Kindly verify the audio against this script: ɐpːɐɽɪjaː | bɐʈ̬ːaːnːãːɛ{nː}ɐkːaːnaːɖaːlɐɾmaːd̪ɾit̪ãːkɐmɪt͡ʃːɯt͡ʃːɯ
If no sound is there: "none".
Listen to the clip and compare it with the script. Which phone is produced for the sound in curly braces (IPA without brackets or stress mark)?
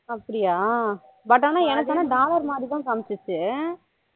n